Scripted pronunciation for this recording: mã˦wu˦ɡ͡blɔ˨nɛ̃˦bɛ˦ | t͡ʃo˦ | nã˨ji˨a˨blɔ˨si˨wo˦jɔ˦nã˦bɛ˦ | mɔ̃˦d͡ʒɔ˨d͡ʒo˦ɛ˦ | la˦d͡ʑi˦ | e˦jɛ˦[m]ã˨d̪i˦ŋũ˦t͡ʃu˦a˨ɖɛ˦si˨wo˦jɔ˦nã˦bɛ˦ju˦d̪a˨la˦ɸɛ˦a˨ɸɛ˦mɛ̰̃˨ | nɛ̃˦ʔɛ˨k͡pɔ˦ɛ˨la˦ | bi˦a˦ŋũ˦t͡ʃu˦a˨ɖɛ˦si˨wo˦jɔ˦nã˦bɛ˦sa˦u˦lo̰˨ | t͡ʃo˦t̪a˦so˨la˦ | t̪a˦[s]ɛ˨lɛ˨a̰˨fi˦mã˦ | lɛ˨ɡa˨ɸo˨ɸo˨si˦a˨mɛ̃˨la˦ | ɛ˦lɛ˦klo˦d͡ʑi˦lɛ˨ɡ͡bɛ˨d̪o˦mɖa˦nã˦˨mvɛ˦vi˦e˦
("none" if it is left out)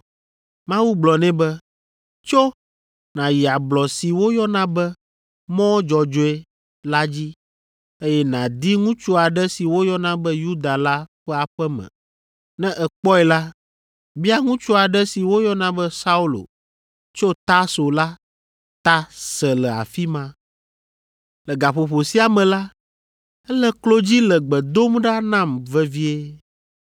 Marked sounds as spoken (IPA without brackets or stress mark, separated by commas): n, s